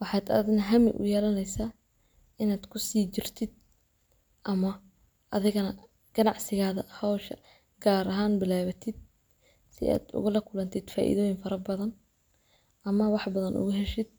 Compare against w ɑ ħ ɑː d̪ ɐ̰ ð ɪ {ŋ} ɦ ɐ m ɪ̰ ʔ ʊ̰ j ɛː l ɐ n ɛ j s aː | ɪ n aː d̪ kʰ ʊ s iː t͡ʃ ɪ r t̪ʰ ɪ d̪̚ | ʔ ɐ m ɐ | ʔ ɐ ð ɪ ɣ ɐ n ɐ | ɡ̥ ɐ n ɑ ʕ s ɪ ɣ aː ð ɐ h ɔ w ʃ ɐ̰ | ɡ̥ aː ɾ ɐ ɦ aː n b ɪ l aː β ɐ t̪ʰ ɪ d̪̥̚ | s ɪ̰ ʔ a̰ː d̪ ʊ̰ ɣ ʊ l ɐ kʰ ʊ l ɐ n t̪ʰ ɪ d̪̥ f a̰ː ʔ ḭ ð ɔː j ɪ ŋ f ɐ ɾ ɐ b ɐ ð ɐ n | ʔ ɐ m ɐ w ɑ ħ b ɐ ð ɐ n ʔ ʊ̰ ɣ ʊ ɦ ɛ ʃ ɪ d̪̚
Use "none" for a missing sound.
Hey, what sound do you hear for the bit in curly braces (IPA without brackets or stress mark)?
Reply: n